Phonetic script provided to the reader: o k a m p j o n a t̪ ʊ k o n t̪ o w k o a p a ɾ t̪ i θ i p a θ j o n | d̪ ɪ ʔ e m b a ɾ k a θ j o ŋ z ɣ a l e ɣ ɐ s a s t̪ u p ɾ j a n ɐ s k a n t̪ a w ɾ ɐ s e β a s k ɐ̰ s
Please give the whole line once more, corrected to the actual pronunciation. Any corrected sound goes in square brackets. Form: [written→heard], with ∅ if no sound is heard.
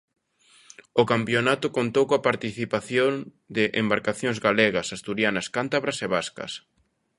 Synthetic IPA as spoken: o k a m p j o n a t̪ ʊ k o n t̪ o w k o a p a ɾ t̪ i θ i p a θ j o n | d̪ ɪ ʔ e m b a ɾ k a θ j o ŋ z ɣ a l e ɣ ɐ s a s t̪ u [p→∅] ɾ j a n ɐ s k a n t̪ a [w→β] ɾ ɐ s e β a s k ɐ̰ s